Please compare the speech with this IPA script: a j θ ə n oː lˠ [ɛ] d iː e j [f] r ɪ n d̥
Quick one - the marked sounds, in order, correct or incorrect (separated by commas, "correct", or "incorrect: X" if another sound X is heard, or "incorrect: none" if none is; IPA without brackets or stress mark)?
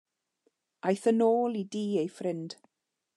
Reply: incorrect: i, correct